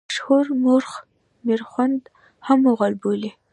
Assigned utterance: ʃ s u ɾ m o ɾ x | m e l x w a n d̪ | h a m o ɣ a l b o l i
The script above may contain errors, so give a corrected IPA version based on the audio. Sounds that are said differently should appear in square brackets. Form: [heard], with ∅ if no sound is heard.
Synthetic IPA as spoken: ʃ [h] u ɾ m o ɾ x | m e [ɾ] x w a n d̪ | h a m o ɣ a l b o l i